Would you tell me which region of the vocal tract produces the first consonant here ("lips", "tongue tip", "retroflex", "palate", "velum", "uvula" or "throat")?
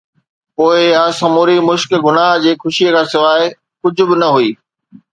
lips